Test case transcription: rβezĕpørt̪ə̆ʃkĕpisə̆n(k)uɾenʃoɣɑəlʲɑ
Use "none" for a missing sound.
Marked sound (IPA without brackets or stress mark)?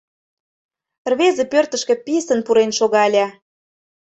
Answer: p